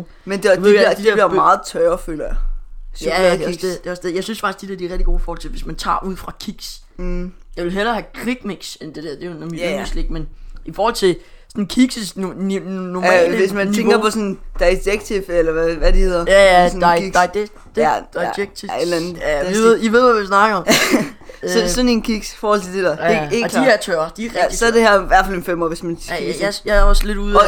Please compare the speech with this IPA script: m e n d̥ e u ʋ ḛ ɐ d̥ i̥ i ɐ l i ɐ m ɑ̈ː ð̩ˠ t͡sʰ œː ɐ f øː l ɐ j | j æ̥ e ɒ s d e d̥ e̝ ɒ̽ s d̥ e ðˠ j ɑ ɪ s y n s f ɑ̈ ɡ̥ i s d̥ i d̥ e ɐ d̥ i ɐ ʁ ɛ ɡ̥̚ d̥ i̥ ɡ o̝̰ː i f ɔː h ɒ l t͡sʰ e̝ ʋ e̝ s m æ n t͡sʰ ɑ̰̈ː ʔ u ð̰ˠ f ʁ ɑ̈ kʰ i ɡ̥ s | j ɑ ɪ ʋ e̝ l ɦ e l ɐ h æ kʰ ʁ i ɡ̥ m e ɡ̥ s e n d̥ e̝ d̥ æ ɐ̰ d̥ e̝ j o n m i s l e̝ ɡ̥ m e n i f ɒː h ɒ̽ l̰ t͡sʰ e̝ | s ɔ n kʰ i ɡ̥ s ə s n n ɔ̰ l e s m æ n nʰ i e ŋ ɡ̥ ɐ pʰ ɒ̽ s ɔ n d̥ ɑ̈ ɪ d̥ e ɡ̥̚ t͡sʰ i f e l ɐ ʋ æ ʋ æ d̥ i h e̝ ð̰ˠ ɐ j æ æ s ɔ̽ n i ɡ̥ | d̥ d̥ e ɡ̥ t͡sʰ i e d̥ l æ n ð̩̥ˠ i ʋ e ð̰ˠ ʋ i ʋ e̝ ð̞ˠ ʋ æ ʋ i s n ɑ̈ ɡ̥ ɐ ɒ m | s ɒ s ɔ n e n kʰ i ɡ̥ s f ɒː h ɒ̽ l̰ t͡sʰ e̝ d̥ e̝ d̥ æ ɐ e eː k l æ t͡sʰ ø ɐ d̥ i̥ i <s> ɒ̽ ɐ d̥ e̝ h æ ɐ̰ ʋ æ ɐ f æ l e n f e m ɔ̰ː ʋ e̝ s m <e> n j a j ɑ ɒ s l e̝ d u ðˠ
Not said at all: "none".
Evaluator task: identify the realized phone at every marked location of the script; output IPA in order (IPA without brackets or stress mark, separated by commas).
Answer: s, æ